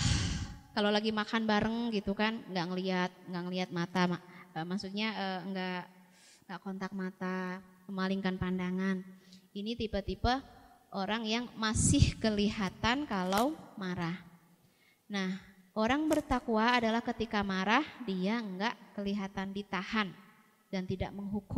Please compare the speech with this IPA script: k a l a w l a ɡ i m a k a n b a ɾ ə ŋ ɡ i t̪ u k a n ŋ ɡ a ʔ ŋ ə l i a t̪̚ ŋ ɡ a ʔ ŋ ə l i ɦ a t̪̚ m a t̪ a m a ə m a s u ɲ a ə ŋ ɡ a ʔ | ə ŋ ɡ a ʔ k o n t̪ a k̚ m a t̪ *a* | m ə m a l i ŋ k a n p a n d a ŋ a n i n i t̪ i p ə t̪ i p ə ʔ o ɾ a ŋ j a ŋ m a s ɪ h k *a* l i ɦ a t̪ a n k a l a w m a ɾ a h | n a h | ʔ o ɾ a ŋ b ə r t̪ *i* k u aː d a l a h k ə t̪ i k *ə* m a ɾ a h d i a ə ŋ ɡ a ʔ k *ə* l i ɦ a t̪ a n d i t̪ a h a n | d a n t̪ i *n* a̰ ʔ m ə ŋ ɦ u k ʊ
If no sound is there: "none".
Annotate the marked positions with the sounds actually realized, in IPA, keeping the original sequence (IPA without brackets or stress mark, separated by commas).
a, ə, a, a, ə, d